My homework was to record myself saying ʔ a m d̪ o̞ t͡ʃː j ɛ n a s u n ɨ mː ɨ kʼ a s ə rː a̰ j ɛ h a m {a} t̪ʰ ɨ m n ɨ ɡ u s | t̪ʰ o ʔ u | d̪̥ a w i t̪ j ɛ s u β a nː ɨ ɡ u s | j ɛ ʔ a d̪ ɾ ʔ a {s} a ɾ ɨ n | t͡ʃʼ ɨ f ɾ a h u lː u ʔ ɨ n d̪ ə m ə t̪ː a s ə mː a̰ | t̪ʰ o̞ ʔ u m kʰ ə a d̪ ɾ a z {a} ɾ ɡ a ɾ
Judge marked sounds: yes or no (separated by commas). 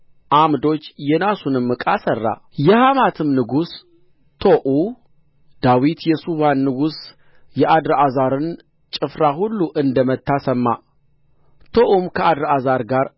yes, no, yes